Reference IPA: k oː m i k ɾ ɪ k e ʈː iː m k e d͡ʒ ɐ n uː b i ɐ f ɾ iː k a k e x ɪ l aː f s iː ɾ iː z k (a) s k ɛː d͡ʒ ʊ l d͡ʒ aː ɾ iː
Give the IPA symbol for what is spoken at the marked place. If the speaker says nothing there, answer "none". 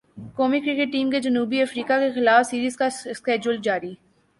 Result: a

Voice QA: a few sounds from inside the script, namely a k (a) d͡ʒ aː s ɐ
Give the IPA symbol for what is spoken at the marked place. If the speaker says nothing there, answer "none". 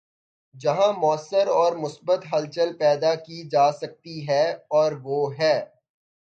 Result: i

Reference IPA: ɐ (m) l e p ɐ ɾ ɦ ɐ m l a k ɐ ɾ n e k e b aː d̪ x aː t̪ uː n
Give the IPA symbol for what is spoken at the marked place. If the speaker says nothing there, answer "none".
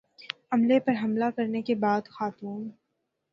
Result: m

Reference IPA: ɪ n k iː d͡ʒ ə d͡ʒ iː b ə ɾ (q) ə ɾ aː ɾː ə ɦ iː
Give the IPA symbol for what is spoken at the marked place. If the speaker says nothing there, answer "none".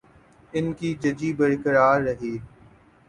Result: k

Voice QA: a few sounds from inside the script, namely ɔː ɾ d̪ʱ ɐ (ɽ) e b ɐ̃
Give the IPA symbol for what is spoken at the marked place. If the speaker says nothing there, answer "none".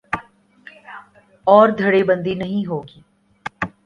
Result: ɽ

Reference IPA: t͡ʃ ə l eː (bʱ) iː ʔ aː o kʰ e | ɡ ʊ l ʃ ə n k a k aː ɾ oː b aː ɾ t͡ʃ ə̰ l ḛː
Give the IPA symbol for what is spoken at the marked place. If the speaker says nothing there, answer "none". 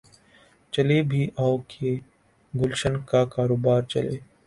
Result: bʱ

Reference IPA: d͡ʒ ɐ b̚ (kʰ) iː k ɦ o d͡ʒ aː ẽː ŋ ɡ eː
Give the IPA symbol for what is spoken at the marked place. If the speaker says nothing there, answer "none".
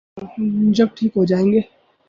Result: ʈʰ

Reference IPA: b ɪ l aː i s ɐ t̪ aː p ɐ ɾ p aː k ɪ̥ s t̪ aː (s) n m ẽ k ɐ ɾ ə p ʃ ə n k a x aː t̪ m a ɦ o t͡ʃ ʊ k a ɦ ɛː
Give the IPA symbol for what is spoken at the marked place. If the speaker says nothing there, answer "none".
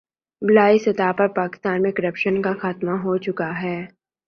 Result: none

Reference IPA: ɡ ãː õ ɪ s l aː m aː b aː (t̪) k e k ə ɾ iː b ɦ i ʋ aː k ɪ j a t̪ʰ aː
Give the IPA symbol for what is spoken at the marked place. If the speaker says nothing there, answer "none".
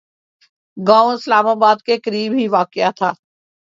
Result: d̪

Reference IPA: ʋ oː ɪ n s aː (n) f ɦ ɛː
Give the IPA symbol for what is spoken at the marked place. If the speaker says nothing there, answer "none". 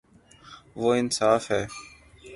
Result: none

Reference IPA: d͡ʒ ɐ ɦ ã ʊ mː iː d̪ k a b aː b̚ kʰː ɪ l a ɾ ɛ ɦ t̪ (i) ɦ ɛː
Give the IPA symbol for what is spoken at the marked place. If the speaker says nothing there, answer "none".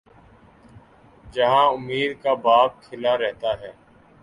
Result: a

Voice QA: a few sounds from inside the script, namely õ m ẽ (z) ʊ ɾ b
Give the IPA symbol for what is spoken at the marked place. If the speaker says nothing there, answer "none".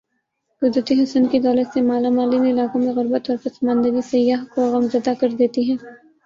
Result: ɣ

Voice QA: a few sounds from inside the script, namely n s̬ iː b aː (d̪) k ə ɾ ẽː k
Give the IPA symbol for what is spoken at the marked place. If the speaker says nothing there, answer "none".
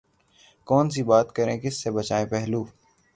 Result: t̪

